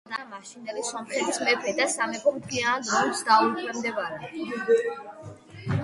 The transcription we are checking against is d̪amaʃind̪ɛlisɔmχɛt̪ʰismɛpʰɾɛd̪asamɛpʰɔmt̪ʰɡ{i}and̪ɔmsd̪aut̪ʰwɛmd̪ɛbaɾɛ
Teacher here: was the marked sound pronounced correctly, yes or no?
yes